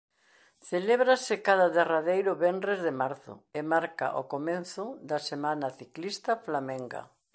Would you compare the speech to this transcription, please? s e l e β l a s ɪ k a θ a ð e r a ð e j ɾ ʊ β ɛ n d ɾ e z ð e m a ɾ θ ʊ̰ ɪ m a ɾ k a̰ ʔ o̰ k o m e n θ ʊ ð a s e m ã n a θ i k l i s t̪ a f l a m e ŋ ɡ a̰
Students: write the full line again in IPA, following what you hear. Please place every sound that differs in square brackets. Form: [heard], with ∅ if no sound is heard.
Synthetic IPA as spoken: [θ] e l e β [ɾ] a s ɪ k a [ð] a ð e r a ð e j ɾ ʊ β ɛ n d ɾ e z ð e m a ɾ θ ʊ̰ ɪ m a ɾ k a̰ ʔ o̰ k o m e n θ ʊ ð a s e m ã n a θ i k l i s t̪ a f l a m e ŋ ɡ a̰